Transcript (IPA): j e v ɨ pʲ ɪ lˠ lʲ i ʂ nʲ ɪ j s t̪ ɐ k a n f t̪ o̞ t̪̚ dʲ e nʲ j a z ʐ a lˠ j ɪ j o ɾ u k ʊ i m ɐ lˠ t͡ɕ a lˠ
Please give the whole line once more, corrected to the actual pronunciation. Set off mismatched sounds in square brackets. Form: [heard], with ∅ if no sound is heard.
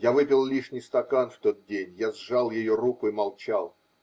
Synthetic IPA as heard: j [a] v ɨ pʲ ɪ lˠ lʲ i ʂ nʲ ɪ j s t̪ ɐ k a n f t̪ o̞ t̪̚ dʲ e nʲ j a z ʐ a lˠ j ɪ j o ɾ u k ʊ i m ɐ lˠ t͡ɕ a lˠ